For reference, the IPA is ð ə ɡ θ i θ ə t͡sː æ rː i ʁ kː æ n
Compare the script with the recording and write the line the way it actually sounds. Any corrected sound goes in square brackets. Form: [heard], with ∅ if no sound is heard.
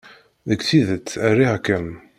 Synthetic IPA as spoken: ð ə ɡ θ i [ð] ə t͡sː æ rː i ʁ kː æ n